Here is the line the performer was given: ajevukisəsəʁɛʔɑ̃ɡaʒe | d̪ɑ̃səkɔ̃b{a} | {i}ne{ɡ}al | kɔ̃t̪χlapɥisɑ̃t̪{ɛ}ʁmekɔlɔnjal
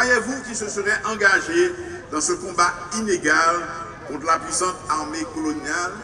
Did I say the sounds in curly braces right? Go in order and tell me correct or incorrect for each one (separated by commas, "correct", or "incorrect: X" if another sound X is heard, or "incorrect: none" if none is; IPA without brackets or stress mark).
correct, correct, correct, incorrect: a